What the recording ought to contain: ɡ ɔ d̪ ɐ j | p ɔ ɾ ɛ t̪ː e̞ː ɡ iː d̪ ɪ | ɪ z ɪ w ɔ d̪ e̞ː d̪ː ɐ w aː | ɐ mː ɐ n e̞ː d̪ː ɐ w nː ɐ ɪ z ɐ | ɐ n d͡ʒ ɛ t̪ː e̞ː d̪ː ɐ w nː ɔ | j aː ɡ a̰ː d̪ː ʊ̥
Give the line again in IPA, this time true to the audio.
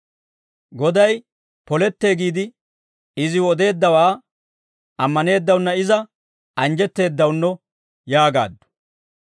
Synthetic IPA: ɡ ɔ d̪ ɐ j | p ɔ l ɛ t̪ː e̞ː ɡ iː d̪ ɪ | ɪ z ɪ w ɔ d̪ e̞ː d̪ː ɐ w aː | ɐ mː ɐ n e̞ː d̪ː ɐ w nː ɐ ɪ z ɐ | ɐ n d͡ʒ ɛ t̪ː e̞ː d̪ː ɐ w nː ɔ | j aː ɡ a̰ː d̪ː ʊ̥